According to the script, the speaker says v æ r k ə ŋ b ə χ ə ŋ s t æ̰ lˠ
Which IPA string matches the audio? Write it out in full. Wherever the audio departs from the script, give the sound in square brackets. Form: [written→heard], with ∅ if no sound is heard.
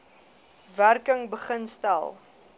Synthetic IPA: v æ r k ə ŋ b ə χ ə [ŋ→n] s t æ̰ lˠ